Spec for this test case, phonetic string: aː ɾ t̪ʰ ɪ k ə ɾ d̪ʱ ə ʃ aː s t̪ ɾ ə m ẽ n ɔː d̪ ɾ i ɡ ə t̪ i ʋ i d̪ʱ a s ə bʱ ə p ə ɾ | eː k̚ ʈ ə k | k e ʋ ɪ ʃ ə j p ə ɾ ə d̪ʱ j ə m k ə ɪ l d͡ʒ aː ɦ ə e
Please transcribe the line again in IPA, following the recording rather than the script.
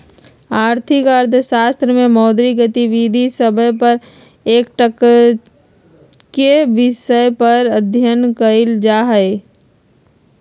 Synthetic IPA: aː ɾ t̪ʰ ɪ k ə ɾ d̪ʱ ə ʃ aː s t̪ ɾ ə m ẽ m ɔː d̪ ɾ i ɡ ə t̪ i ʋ i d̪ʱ i s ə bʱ ə p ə ɾ | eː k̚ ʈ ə k | k e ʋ ɪ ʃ ə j p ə ɾ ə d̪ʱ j ə n k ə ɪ l d͡ʒ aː ɦ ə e